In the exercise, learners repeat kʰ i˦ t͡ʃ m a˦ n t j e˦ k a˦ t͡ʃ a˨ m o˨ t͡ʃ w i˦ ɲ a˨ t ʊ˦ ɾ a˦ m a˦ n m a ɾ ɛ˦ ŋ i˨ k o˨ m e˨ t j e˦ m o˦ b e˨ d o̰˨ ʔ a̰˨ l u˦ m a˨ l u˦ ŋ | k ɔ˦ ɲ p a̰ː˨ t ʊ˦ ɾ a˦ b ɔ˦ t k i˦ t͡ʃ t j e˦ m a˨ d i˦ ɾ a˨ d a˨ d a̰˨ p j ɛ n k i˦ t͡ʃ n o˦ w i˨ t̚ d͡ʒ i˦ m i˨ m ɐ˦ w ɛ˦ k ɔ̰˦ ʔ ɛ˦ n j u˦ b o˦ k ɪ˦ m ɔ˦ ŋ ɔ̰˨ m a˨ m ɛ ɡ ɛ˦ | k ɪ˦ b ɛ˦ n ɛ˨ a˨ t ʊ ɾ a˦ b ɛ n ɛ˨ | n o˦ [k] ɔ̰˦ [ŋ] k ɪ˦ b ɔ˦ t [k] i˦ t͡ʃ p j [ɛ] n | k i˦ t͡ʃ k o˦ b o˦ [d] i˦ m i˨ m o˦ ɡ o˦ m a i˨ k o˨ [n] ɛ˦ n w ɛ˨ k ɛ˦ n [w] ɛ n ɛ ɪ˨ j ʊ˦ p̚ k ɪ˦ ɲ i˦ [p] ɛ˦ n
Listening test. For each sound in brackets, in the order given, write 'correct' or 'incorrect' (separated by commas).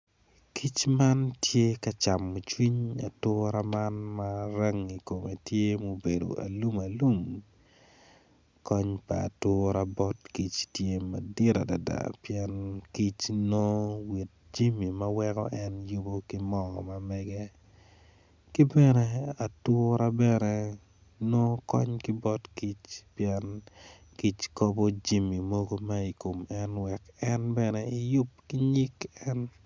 correct, incorrect, correct, correct, incorrect, incorrect, incorrect, incorrect